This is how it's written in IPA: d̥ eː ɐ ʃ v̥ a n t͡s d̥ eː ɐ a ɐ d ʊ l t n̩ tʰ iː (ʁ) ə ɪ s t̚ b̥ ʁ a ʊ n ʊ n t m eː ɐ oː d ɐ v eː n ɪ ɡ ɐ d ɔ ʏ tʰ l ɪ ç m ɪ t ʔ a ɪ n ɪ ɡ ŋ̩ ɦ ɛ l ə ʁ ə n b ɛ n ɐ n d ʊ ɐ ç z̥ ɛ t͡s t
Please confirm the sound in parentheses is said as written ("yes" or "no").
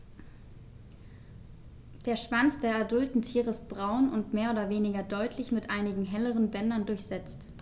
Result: yes